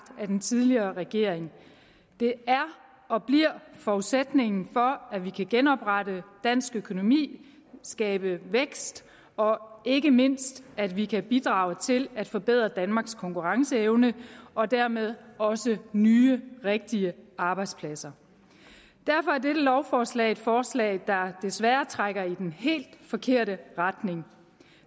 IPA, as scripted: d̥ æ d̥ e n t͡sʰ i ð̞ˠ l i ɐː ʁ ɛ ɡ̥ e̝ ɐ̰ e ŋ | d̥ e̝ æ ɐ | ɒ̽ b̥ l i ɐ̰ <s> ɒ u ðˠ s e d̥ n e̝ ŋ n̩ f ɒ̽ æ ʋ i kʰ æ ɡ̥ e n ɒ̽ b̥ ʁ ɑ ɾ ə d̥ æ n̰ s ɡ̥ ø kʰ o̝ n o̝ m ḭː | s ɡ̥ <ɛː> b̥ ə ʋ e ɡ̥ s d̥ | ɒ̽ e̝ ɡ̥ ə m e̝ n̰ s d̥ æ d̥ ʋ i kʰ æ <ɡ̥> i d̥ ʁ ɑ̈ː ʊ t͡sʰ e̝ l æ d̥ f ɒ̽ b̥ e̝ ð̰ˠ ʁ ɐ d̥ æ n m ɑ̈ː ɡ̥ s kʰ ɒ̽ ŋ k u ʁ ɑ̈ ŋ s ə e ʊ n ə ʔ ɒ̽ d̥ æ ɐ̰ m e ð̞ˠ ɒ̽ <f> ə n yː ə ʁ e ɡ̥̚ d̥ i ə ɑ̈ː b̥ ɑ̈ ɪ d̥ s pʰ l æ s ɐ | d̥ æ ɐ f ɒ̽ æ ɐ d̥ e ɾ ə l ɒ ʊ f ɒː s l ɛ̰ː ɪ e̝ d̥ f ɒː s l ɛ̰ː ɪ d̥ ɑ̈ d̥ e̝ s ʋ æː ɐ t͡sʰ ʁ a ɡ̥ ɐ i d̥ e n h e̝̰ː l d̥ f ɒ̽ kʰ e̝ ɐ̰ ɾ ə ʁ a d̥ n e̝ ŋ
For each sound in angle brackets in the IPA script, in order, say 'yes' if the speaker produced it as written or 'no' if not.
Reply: no, yes, no, no

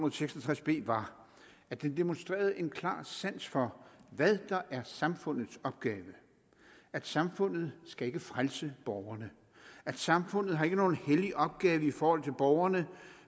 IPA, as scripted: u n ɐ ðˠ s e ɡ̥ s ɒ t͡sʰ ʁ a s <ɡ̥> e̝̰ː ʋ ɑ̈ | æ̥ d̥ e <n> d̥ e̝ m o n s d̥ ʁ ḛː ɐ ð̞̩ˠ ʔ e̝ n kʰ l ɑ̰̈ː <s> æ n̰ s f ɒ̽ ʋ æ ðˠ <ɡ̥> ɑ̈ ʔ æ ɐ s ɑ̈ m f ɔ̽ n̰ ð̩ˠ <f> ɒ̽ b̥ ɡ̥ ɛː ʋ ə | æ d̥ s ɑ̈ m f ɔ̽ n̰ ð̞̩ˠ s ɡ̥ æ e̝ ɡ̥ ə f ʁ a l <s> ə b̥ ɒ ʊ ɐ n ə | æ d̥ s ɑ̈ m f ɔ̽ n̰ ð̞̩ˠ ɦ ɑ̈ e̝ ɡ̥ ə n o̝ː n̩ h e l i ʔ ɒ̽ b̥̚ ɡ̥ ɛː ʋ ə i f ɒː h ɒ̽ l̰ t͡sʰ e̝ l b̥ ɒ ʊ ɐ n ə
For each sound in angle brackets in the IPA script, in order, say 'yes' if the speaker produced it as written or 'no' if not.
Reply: no, yes, yes, no, no, yes

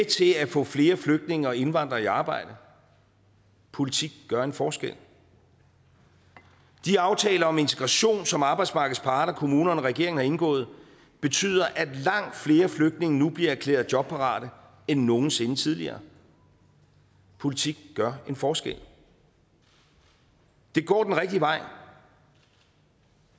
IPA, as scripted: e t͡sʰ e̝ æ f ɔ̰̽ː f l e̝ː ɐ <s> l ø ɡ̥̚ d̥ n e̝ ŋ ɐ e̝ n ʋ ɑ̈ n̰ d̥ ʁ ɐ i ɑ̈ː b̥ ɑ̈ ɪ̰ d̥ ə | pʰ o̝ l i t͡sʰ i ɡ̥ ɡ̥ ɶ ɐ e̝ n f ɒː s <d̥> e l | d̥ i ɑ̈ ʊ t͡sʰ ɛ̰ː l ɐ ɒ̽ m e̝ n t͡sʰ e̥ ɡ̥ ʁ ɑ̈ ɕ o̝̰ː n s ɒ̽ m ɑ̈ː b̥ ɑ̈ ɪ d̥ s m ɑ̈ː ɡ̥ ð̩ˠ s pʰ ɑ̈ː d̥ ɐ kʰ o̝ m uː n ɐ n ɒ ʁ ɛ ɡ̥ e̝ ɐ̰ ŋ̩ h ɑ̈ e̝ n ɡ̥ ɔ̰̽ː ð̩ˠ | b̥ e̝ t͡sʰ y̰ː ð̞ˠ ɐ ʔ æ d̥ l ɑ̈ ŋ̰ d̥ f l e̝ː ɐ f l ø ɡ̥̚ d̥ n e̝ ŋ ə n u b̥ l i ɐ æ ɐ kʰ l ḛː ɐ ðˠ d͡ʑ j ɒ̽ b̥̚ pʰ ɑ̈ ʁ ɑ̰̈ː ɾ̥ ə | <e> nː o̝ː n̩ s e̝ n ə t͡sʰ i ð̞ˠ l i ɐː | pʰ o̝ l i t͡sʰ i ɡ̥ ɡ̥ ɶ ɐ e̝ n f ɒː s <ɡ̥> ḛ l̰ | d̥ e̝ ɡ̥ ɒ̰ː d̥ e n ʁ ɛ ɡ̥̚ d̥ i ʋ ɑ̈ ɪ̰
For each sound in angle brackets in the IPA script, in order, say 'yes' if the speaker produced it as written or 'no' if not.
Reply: no, no, yes, yes

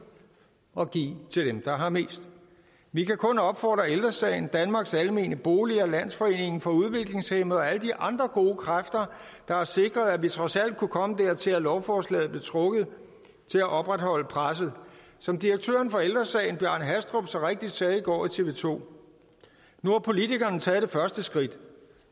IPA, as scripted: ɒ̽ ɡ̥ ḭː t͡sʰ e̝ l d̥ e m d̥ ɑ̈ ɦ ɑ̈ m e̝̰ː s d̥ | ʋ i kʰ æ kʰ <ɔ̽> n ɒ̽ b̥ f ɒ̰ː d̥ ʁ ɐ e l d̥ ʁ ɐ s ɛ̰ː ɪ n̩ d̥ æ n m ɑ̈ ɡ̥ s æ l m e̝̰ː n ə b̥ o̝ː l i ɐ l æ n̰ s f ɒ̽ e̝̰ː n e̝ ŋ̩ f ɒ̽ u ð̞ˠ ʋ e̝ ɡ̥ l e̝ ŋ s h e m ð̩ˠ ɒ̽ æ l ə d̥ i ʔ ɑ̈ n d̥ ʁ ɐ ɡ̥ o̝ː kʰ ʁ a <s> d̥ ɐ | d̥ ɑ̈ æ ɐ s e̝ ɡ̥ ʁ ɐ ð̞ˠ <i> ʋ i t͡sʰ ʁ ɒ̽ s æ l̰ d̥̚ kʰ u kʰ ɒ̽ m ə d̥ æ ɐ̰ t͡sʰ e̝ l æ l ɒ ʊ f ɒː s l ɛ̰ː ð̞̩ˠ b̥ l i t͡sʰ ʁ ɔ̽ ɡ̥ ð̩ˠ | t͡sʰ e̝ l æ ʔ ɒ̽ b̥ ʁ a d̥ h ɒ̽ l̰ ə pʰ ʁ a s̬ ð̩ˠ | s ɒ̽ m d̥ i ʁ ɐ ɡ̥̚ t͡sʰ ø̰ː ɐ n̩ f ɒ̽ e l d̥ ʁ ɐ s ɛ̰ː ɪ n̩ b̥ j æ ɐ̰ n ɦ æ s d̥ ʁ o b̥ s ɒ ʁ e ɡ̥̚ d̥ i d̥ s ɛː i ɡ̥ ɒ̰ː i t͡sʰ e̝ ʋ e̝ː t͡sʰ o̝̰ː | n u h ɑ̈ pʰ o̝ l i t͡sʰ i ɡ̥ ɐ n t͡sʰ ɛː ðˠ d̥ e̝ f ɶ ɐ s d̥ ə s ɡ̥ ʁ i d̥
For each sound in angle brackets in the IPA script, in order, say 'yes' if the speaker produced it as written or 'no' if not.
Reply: yes, no, no

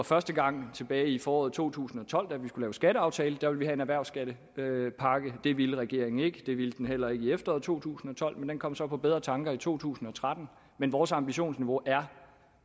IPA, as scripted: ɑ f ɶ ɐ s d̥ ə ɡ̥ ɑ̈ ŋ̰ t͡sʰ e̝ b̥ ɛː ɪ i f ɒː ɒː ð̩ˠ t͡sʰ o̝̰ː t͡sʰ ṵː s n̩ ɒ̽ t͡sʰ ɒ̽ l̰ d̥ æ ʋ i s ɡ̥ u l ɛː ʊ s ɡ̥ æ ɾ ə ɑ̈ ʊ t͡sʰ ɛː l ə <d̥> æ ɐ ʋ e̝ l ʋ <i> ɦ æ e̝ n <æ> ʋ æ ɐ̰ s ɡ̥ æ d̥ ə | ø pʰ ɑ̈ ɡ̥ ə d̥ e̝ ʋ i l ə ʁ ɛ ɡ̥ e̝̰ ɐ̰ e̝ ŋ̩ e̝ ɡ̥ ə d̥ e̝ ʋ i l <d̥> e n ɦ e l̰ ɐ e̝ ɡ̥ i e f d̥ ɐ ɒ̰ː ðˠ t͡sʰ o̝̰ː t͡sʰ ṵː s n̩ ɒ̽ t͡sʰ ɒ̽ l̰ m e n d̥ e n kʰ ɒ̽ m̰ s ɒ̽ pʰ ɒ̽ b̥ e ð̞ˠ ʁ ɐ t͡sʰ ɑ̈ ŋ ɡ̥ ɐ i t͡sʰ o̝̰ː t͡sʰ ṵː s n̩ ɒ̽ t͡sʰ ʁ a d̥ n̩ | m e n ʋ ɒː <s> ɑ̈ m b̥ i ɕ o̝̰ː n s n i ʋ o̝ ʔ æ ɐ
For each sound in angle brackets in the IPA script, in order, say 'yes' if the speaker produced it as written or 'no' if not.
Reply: yes, yes, yes, yes, yes

